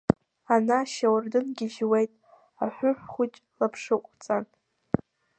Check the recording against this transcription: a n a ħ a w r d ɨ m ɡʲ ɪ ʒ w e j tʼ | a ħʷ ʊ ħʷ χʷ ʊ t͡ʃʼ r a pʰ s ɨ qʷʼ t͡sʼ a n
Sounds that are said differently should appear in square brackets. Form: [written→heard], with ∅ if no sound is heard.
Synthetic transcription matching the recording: a n a [ħ→ʃ] a w r d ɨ [m→n] ɡʲ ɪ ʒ w e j tʼ | a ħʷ ʊ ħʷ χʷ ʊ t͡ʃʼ [r→l] a pʰ [s→ʂ] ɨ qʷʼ t͡sʼ a n

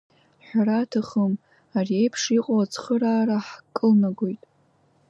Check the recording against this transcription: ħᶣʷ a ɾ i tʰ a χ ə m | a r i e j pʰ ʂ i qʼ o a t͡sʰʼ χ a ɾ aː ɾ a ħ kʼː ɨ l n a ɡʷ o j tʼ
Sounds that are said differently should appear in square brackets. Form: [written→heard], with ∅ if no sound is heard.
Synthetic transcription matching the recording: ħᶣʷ a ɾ [i→a] tʰ a χ ə m | a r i e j pʰ ʂ i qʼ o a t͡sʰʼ χ [a→ə] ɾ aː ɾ a ħ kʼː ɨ l n a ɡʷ o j tʼ

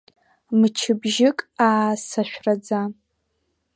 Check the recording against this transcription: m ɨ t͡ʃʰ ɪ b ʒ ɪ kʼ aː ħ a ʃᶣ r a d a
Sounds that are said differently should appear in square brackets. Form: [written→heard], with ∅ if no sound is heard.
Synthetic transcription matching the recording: m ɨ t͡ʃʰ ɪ b ʒ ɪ kʼ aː [ħ→s] a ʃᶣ r a [d→d͡z] a

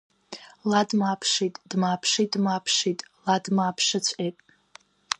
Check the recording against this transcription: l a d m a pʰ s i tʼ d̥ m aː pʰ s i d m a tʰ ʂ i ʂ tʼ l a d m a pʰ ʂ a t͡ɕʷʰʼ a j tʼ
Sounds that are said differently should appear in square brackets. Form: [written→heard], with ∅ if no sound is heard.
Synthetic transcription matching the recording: l a d m a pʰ [s→ʂ] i tʼ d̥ m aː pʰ [s→ʂ] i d m a [tʰ→pʰ] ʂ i [ʂ→∅] tʼ l a d m a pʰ ʂ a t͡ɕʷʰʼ [a→e] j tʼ

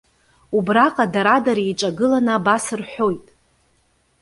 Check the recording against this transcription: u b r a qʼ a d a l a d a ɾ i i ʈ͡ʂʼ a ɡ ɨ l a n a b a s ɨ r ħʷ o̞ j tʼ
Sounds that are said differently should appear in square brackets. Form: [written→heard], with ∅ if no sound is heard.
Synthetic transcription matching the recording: u b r a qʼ a d a [l→ɾ] a d a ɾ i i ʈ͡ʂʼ a ɡ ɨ l a n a b a s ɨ r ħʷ o̞ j tʼ

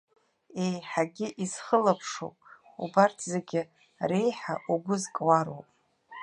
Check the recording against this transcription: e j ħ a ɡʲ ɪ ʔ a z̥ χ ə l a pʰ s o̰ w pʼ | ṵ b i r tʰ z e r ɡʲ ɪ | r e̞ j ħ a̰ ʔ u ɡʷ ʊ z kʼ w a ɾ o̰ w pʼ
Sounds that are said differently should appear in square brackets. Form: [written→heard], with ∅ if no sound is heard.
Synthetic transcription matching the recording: e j ħ a ɡʲ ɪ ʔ [a→i] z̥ χ ə l a pʰ [s→ʂ] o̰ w pʼ | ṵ b [i→a] r tʰ z e [r→∅] ɡʲ ɪ | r e̞ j ħ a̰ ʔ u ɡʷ ʊ z kʼ w a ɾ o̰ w pʼ

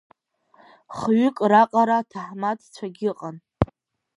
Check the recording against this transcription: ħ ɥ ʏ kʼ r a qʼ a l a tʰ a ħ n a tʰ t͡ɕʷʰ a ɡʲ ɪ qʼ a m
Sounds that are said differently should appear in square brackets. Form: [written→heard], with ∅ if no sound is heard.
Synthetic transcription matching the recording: [ħ→χ] ɥ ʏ kʼ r a qʼ a [l→ɾ] a tʰ a ħ [n→m] a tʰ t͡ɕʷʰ a ɡʲ ɪ qʼ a [m→n]

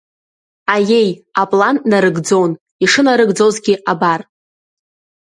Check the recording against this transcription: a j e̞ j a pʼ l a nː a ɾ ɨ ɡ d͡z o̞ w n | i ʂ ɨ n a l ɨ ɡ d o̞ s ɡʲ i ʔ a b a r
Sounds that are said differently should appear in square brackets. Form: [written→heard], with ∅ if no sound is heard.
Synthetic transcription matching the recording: a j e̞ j a pʼ l a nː a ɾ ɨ ɡ d͡z o̞ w n | i ʂ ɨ n a [l→ɾ] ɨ ɡ [d→d͡z] o̞ [s→z] ɡʲ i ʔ a b a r

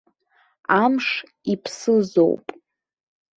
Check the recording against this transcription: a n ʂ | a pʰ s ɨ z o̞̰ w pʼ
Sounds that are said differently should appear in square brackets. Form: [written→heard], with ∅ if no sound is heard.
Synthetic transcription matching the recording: a [n→m] ʂ | [a→i] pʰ s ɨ z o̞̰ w pʼ

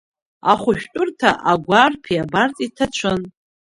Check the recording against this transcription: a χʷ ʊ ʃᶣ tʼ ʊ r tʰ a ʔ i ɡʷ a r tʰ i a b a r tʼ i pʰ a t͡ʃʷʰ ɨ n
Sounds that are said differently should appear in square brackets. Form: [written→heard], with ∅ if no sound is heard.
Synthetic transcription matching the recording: a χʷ ʊ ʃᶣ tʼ ʊ r tʰ a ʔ [i→a] ɡʷ a r [tʰ→pʰ] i a b a r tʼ i [pʰ→tʰ] a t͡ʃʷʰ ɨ n

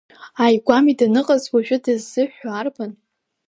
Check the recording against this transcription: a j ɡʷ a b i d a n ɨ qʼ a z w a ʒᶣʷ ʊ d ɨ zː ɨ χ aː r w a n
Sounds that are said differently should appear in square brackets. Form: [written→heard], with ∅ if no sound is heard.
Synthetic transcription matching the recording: a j ɡʷ a [b→m] i d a n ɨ qʼ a z w a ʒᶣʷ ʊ d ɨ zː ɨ [χ→ħ] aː r [w→b] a n

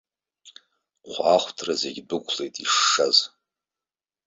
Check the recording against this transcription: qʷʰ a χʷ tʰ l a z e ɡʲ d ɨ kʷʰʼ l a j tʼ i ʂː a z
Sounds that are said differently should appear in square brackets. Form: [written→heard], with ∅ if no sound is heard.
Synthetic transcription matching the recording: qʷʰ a χʷ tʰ [l→r] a z e ɡʲ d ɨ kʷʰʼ l [a→e] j tʼ i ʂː a z

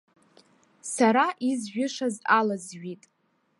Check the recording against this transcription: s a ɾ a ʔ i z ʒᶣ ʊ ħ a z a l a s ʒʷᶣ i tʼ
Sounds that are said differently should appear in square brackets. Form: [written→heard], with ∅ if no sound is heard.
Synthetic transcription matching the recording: s a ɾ a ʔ i z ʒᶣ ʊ [ħ→ʂ] a z a l a [s→z] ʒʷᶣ i tʼ

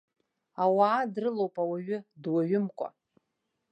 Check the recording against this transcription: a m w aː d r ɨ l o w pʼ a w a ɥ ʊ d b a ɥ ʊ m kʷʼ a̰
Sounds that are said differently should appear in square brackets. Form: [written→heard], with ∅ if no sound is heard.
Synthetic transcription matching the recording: a [m→∅] w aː d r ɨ l o w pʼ a w a ɥ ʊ d [b→w] a ɥ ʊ m kʷʼ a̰

